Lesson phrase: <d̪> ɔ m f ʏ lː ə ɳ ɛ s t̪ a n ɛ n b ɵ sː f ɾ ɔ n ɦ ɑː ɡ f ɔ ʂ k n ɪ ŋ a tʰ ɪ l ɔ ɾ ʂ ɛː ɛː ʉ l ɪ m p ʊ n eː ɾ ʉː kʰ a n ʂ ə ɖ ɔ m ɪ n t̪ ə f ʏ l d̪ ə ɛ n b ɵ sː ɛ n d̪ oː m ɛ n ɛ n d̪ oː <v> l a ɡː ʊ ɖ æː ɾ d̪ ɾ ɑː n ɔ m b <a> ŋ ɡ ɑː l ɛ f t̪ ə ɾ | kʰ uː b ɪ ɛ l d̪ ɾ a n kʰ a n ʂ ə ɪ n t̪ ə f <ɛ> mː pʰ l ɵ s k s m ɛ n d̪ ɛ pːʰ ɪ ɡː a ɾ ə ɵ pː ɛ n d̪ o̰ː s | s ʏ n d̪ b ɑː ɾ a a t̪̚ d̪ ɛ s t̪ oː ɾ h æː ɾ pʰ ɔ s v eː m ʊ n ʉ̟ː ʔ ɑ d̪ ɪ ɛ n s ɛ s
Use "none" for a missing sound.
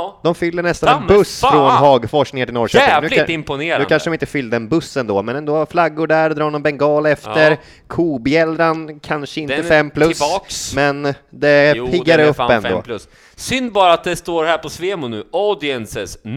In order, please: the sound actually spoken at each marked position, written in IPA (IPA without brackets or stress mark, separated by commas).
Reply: d̪, f, ɛ, ɛ